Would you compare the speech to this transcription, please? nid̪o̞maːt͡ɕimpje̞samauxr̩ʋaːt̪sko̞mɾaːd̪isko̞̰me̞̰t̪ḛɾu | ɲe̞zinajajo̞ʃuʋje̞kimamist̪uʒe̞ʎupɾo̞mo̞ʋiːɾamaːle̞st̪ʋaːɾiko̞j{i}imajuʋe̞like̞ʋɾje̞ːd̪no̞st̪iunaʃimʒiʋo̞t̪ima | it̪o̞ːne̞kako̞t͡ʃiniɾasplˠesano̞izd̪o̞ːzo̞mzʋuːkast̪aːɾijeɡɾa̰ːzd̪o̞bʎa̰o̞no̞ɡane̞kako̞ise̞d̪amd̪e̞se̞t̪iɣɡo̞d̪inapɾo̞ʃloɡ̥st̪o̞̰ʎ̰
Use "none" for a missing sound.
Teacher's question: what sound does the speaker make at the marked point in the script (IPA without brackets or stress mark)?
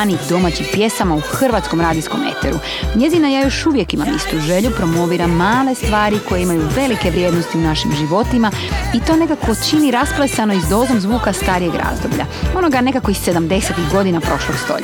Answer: e